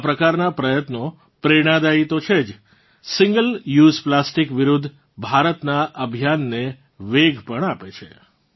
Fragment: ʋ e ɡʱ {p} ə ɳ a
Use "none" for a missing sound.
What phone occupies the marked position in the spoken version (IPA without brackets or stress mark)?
p